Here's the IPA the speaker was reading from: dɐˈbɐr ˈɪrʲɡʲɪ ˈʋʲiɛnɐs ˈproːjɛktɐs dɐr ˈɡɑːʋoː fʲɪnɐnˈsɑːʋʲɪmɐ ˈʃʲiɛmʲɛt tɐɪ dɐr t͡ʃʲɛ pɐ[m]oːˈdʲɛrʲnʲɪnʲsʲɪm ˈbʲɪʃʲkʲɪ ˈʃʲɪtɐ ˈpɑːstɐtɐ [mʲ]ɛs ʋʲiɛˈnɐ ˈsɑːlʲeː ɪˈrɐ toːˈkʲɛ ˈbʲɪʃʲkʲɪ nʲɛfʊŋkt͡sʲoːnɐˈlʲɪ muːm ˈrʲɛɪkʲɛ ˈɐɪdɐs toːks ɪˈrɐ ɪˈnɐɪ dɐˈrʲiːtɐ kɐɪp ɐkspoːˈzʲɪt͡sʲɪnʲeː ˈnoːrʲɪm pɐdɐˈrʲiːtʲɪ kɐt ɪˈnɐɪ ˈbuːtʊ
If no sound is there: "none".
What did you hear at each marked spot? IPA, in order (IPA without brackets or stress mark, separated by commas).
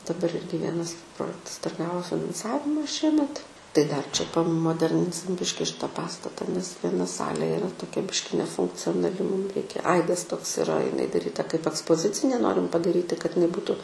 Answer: m, nʲ